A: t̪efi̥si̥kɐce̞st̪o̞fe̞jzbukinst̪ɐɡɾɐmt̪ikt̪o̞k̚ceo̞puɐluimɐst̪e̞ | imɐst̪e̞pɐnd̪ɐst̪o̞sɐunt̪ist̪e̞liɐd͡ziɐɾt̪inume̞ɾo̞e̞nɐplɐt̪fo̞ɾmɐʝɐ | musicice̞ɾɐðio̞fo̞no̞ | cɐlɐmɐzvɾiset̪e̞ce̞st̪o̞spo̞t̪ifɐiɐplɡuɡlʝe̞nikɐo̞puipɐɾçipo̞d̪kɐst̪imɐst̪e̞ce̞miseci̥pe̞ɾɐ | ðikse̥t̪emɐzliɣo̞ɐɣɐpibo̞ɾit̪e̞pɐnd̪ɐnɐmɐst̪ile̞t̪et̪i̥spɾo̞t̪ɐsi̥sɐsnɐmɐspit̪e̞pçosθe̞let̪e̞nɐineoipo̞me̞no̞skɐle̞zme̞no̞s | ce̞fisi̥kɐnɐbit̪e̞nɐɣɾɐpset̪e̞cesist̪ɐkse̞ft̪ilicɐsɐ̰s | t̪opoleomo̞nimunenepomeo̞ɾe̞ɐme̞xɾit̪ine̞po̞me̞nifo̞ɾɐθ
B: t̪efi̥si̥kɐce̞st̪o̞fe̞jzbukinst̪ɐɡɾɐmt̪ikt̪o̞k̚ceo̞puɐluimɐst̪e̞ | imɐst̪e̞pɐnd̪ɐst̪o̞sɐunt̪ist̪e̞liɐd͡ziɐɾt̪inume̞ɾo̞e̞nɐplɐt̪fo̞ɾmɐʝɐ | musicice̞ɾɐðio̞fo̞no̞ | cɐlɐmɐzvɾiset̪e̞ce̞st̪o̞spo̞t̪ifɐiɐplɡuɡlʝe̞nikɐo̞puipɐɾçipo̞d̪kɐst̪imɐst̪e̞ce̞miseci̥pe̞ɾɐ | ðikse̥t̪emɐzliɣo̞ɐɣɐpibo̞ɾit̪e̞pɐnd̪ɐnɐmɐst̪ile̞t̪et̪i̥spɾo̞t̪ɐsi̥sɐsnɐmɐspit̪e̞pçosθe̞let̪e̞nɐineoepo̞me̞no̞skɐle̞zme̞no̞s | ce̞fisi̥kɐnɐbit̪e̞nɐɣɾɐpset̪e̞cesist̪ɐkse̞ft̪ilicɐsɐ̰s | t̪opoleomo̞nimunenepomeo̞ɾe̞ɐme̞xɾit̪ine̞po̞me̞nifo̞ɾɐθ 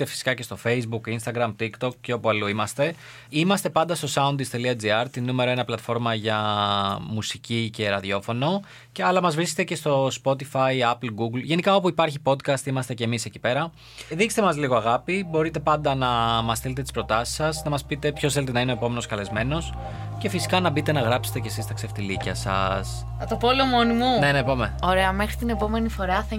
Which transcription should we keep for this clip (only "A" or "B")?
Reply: B